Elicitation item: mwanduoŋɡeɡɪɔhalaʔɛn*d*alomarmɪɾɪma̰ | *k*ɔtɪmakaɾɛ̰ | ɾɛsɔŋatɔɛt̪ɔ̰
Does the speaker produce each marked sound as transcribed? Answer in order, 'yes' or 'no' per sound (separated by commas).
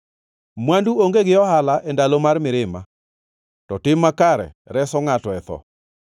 yes, no